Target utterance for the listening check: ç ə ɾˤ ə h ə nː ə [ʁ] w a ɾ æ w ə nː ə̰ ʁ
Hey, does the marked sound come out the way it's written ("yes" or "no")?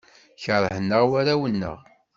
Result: yes